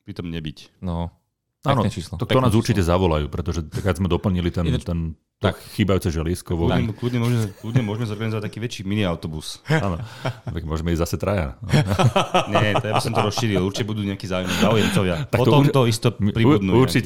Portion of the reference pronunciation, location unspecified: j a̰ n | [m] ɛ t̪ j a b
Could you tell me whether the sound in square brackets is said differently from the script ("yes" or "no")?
yes